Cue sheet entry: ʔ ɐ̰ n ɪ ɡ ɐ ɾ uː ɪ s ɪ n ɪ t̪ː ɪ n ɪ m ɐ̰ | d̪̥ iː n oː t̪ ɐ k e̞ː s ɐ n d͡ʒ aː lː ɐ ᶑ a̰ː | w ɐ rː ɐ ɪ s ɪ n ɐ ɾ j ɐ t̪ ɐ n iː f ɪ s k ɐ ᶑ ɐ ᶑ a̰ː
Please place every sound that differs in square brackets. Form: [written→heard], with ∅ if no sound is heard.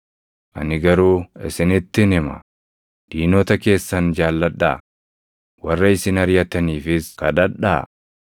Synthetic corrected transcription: ʔ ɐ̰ n ɪ ɡ ɐ ɾ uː ɪ s ɪ n ɪ t̪ː ɪ n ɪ m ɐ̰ | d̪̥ iː n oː t̪ ɐ k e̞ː [s→sː] ɐ n d͡ʒ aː lː ɐ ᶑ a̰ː | w ɐ rː ɐ ɪ s ɪ n ɐ ɾ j ɐ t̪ ɐ n iː f ɪ s k ɐ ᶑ ɐ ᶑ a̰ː